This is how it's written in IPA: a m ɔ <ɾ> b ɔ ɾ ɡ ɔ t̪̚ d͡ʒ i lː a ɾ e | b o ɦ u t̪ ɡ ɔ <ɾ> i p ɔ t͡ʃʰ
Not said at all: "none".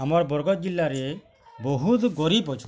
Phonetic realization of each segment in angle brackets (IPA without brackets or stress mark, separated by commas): ɾ, ɾ